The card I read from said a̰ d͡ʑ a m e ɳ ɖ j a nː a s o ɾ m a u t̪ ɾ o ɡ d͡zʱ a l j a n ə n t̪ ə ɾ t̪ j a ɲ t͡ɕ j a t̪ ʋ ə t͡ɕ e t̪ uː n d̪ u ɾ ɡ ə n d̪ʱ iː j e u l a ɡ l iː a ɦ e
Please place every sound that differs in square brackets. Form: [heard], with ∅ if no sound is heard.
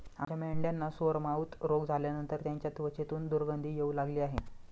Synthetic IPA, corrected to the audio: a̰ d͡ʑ a m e ɳ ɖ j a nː a s o ɾ m a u t̪ ɾ o ɡ d͡zʱ a l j a n ə n t̪ ə ɾ t̪ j a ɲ t͡ɕ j a t̪ ʋ ə t͡ɕ e t̪ uː n d̪ u ɾ ɡ ə n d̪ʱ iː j e u l a ɡ l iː a ɦ e